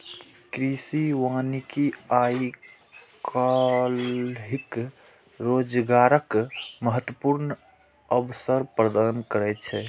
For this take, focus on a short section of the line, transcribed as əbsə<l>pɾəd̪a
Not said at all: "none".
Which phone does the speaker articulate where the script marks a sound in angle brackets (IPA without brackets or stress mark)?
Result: ɾ